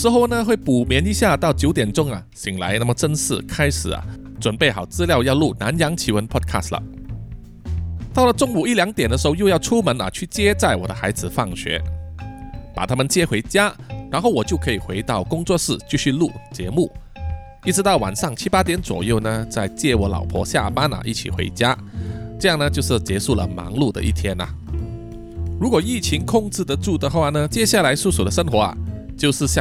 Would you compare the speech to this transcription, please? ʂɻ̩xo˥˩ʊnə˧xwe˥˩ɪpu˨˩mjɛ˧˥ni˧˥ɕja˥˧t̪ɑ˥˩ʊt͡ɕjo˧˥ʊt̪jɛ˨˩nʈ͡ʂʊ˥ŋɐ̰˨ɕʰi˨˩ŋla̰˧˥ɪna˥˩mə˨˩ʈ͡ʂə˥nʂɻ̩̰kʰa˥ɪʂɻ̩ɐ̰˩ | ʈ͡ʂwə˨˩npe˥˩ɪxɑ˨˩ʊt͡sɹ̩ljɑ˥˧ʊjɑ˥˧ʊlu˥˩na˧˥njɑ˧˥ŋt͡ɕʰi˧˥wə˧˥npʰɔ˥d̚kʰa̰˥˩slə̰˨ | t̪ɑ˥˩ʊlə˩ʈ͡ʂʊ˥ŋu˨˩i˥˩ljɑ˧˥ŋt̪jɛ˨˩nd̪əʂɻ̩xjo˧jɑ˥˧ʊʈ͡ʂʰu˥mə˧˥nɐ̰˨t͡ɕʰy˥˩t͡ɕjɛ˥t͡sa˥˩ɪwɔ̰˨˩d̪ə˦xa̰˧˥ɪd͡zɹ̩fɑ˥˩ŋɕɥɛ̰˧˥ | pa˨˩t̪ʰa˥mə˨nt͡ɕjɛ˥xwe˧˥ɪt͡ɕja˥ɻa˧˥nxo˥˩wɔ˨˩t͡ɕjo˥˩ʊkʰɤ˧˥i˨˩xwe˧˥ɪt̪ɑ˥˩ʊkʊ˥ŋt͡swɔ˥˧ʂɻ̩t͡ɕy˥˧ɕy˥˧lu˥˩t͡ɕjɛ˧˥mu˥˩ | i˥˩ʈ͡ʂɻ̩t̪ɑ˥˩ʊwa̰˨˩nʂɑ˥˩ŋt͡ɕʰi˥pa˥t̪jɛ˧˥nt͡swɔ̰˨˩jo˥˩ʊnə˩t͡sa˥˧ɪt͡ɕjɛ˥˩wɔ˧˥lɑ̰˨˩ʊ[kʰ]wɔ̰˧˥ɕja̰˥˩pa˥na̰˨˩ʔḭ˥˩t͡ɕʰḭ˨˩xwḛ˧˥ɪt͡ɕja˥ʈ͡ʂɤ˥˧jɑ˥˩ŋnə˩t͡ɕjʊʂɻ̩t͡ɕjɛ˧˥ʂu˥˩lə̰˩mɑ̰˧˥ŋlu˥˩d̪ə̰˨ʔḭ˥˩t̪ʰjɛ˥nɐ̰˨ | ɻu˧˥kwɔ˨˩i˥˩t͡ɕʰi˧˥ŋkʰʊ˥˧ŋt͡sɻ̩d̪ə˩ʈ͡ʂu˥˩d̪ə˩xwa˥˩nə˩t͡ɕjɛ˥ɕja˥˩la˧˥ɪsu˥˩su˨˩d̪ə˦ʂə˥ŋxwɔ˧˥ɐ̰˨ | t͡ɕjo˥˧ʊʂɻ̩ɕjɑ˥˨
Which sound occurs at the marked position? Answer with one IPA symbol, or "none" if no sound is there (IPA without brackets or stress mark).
pʰ